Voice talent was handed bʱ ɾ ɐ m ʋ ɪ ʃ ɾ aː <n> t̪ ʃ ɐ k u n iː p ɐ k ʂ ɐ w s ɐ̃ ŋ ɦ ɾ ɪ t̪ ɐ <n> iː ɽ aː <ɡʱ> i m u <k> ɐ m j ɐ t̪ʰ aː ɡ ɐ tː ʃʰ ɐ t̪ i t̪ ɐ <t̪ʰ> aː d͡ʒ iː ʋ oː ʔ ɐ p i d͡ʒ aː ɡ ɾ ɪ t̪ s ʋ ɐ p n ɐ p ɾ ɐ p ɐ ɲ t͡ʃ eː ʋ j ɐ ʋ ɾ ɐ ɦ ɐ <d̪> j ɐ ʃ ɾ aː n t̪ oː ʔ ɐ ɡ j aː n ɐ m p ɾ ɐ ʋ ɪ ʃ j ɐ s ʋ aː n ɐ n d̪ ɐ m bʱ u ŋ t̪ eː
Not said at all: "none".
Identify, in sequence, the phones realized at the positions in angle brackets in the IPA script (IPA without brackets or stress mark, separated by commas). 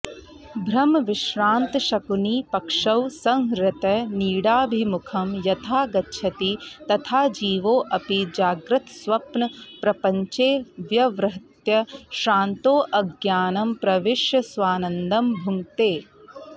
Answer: n, n, bʱ, kʰ, t̪ʰ, t̪